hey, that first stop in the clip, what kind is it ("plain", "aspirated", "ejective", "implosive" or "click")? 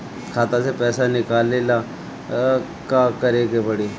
aspirated